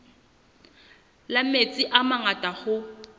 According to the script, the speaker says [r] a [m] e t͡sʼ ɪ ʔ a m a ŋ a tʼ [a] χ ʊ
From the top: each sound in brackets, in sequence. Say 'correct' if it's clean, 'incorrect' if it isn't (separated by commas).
incorrect, correct, correct